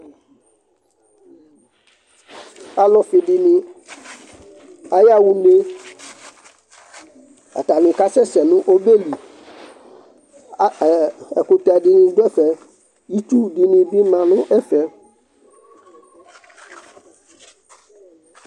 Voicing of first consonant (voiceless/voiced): voiced